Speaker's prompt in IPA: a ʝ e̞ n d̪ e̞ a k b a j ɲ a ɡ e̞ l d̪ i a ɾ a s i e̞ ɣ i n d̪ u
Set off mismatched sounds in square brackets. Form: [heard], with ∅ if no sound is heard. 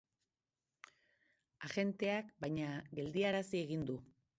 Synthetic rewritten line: a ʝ e̞ n [t̪] e̞ a k b a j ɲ a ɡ e̞ l d̪ i a ɾ a s i e̞ ɣ i n d̪ u